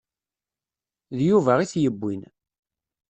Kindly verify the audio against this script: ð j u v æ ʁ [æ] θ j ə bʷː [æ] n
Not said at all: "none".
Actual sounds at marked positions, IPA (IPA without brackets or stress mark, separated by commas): i, i